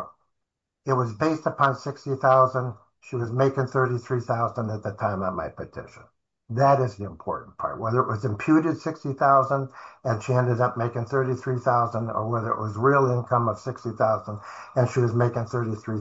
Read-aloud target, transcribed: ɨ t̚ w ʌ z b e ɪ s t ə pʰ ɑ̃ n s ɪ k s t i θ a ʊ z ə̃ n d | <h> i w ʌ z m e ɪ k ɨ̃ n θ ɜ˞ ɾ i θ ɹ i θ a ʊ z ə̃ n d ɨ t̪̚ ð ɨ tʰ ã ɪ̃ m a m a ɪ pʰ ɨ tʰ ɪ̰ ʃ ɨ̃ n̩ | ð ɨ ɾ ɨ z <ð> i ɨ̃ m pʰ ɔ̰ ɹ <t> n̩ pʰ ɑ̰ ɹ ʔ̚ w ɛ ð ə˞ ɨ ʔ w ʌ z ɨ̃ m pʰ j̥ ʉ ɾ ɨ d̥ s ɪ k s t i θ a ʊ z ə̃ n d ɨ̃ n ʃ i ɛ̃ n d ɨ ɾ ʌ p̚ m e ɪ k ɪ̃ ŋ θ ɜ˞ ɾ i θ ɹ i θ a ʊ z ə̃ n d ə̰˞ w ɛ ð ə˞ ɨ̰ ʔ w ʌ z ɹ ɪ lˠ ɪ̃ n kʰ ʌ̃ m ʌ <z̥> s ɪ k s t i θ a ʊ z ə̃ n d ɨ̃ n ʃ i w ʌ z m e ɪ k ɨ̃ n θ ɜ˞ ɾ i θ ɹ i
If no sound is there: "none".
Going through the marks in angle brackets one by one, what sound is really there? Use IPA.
ʃ, ð, ʔ, v̥

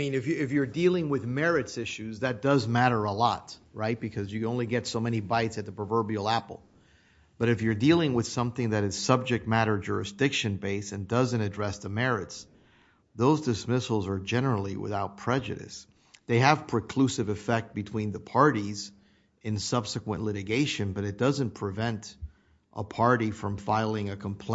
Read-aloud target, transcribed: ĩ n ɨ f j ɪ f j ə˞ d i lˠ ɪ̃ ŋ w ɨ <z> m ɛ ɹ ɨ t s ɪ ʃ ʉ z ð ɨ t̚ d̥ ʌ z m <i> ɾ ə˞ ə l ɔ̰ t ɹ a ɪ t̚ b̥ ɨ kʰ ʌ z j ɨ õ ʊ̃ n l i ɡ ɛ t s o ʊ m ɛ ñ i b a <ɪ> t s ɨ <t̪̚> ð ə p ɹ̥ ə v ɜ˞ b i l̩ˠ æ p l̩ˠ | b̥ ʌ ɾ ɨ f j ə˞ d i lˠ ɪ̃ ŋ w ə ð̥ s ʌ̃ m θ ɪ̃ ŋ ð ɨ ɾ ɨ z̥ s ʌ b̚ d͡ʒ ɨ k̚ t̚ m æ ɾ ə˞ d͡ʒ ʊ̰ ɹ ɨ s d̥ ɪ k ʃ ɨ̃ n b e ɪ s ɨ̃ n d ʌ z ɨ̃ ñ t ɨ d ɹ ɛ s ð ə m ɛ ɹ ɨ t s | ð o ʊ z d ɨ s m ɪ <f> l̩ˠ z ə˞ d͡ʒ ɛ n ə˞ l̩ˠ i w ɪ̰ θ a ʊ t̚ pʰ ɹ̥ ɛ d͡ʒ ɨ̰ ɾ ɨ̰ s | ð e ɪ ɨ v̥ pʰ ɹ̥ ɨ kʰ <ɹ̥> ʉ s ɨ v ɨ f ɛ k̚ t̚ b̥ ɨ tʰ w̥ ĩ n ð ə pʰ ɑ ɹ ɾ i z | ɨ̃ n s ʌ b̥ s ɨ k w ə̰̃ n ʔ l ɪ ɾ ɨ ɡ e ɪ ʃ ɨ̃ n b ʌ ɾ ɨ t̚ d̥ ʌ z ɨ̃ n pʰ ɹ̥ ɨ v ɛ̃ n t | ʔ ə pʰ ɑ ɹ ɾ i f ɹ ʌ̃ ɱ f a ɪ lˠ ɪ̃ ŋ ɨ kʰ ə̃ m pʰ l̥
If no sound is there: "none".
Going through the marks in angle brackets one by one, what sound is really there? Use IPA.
ð, æ, ɪ, t̪̚, s, l̥

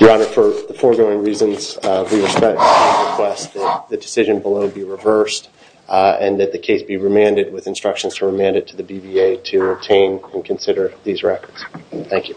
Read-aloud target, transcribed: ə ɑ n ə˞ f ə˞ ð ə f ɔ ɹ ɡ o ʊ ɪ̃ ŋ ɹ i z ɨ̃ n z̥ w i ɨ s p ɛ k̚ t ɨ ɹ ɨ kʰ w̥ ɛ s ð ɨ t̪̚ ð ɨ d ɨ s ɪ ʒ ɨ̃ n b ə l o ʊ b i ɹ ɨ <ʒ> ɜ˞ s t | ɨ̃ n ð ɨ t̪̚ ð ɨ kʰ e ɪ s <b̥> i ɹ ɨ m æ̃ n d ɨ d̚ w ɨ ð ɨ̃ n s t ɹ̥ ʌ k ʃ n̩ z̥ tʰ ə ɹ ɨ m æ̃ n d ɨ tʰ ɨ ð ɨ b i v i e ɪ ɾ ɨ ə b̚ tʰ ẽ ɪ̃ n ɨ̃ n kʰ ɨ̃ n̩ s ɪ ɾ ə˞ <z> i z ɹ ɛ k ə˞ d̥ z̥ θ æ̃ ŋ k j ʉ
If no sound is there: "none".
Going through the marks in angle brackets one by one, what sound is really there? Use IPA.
v, b̥, ð

